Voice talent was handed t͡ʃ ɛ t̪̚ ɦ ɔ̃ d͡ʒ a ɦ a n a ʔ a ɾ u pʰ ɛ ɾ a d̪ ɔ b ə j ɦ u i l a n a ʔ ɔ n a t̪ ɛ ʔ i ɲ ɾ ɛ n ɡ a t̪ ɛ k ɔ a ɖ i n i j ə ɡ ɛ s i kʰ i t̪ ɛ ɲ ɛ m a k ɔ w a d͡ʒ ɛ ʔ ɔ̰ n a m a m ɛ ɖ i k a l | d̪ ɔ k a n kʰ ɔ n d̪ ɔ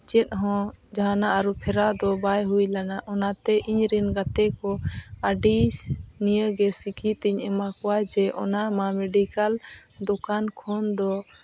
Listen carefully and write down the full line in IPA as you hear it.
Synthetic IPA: t͡ʃ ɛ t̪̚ ɦ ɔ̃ d͡ʒ a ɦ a n a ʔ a ɾ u pʰ ɛ ɾ a d̪ ɔ b a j ɦ u j l a n a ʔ ɔ n a t̪ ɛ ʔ i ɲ ɾ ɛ n ɡ a t̪ ɛ k ɔ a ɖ i n i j ə ɡ ɛ s i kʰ i t̪ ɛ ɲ ɛ m a k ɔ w a d͡ʒ ɛ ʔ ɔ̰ n a m a m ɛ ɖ i k a l | d̪ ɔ k a n kʰ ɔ n d̪ ɔ